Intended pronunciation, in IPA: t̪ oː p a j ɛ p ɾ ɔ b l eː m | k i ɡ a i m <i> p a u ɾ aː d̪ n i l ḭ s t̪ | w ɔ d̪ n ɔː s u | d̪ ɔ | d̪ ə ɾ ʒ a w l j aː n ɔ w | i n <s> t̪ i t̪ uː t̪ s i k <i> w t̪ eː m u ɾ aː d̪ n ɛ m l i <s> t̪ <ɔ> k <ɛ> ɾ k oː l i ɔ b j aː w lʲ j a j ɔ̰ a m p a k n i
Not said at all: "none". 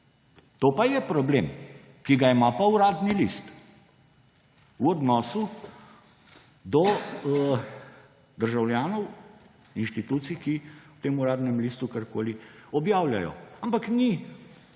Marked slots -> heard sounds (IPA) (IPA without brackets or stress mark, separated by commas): a, ʃ, i, s, u, a